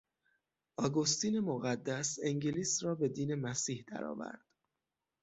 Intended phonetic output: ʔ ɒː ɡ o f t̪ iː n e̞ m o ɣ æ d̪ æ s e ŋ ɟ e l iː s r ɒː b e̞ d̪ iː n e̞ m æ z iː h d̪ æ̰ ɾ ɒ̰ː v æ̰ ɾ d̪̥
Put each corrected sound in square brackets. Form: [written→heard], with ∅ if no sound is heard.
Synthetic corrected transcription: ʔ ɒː ɡ o [f→s] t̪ iː n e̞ m o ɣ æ [d̪→d̪ː] æ s e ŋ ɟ e l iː s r ɒː b e̞ d̪ iː n e̞ m æ [z→s] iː h d̪ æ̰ ɾ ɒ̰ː v æ̰ ɾ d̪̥